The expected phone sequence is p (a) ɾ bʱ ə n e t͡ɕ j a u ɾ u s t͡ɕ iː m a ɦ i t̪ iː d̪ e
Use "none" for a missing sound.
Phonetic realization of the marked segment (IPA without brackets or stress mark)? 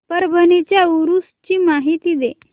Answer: ə